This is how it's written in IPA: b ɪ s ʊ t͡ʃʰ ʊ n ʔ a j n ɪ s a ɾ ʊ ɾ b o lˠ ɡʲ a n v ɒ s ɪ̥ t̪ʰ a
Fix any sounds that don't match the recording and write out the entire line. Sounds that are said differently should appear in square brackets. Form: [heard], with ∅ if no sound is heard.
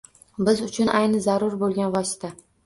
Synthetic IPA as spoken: b ɪ [z] ʊ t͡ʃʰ ʊ n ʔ a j n ɪ [z] a ɾ ʊ ɾ b o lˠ ɡʲ a n v ɒ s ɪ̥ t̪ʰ a